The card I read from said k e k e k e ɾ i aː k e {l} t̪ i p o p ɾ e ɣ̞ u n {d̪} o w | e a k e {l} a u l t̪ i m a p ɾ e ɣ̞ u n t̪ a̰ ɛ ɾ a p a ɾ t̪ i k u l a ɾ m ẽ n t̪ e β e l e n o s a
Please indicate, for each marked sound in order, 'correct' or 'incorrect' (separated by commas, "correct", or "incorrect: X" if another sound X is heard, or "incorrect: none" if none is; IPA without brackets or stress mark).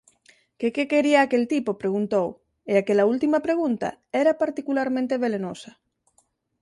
correct, incorrect: t̪, correct